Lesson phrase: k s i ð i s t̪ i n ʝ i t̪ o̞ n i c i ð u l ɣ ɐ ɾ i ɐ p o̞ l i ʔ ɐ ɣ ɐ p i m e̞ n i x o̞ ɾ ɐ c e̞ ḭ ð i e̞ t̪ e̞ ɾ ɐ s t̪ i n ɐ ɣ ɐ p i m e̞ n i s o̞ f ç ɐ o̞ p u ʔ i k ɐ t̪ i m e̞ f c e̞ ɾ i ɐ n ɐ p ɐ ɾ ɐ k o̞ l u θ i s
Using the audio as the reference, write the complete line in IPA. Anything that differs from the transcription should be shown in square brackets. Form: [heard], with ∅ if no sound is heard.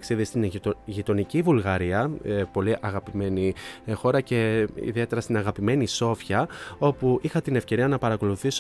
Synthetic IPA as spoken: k s i ð i s t̪ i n ʝ i t̪ o̞ n i c i [v] u l ɣ ɐ ɾ i ɐ p o̞ l i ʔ ɐ ɣ ɐ p i m e̞ n i x o̞ ɾ ɐ c e̞ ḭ ð i e̞ t̪ e̞ ɾ ɐ s t̪ i n ɐ ɣ ɐ p i m e̞ n i s o̞ f ç ɐ o̞ p u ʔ i [x] ɐ t̪ i [n] e̞ f c e̞ ɾ i ɐ n ɐ p ɐ ɾ ɐ k o̞ l u θ i s